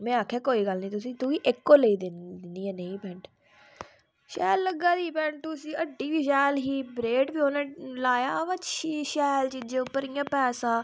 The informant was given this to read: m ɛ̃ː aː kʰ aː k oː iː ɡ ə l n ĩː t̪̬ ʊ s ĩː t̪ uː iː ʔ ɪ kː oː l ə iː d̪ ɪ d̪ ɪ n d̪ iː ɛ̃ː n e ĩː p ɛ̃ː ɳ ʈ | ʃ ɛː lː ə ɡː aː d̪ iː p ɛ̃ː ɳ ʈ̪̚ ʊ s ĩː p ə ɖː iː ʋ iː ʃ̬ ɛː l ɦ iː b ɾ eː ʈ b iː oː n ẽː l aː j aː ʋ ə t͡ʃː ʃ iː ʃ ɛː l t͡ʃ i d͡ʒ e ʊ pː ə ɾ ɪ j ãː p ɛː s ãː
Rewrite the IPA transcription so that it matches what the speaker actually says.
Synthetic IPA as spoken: m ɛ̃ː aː kʰ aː k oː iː ɡ ə l n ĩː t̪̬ ʊ s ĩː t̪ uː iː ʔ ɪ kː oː l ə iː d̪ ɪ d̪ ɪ n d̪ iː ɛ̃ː n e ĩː p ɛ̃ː ɳ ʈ | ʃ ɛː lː ə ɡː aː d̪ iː p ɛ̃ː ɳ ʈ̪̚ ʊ s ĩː ə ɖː iː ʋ iː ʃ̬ ɛː l ɦ iː b ɾ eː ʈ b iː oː n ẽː l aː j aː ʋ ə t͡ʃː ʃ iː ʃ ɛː l t͡ʃ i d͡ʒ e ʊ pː ə ɾ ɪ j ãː p ɛː s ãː

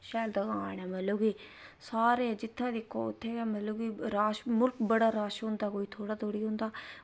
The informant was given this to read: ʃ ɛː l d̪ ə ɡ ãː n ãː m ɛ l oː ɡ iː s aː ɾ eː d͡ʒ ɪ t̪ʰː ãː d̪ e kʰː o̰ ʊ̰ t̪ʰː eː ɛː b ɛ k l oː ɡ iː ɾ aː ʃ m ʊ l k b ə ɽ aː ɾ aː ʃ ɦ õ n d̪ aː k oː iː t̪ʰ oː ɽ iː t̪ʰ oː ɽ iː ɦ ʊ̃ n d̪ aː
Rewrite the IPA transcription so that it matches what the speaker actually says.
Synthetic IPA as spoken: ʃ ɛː l d̪ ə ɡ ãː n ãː m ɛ l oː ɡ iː s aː ɾ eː d͡ʒ ɪ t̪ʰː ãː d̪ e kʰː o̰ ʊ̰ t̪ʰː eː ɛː m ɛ l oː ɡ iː ɾ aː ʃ m ʊ l k b ə ɽ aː ɾ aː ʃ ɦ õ n d̪ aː k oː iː t̪ʰ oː ɽ aː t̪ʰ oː ɽ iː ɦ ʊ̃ n d̪ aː

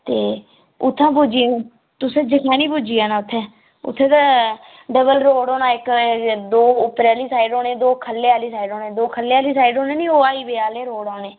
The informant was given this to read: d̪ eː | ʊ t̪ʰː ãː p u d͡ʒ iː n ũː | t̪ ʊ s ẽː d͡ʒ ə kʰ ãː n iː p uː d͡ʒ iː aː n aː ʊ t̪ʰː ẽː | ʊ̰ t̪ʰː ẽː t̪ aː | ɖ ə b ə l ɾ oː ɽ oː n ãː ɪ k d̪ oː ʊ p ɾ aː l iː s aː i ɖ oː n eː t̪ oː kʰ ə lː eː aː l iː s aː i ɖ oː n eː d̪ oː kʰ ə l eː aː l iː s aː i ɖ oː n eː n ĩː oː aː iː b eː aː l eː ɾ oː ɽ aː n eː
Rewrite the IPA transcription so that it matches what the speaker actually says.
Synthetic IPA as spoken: t̪ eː | ʊ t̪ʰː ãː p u d͡ʒ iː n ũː | t̪ ʊ s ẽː d͡ʒ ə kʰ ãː n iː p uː d͡ʒ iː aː n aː ʊ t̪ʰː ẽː | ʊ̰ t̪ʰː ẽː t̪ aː | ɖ ə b ə l ɾ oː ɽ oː n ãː ɪ k d̪ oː ʊ p ɾ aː l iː s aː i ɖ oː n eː d̪ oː kʰ ə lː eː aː l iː s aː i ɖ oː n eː d̪ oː kʰ ə l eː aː l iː s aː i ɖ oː n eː n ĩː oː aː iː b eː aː l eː ɾ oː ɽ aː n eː

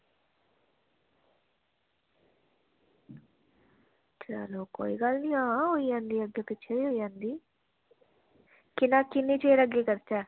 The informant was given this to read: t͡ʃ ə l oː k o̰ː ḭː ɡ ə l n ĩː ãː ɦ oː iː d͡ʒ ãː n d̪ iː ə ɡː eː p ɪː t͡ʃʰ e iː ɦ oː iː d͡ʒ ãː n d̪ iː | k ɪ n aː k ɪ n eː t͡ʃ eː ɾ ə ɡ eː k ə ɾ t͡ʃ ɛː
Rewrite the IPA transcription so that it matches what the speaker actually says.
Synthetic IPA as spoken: t͡ʃ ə l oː k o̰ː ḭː ɡ ə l n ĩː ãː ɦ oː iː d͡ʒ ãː n d̪ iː ə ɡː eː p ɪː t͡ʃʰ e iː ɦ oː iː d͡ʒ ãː n d̪ iː | k ɪ n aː k ɪ n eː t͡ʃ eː ɾ ə ɡ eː k ə ɾ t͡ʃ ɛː

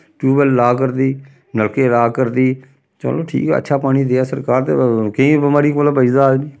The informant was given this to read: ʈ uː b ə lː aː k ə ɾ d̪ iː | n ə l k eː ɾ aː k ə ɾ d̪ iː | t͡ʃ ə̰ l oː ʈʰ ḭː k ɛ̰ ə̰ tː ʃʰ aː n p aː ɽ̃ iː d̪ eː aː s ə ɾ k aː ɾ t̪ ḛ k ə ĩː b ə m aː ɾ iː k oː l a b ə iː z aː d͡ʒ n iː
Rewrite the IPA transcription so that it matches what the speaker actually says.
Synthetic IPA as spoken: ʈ uː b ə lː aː k ə ɾ d̪ iː | n ə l k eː ɾ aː k ə ɾ d̪ iː | t͡ʃ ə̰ l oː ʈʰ ḭː k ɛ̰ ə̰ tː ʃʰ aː p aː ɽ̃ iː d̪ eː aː s ə ɾ k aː ɾ t̪ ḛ k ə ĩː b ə m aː ɾ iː k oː l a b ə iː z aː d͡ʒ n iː

